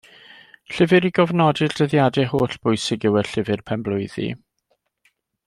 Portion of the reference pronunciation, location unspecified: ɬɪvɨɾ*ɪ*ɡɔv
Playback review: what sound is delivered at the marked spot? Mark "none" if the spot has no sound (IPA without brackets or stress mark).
i